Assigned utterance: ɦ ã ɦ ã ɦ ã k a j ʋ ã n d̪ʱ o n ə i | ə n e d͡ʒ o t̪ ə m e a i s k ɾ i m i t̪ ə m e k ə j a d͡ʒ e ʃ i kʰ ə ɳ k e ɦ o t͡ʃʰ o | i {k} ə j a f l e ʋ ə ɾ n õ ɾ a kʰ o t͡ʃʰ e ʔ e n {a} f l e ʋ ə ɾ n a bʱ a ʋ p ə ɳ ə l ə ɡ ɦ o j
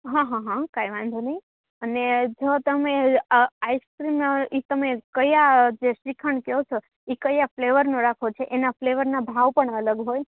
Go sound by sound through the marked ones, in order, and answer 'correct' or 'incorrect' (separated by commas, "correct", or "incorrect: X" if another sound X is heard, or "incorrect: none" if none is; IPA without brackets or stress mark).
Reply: correct, correct